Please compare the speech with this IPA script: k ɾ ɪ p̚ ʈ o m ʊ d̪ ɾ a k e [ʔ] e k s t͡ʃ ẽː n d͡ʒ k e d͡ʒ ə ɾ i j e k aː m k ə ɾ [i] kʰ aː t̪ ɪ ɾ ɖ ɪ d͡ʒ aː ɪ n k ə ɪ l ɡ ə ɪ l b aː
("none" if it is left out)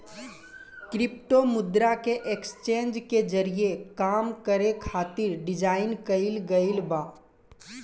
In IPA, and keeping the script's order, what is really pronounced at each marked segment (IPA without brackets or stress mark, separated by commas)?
ʔ, e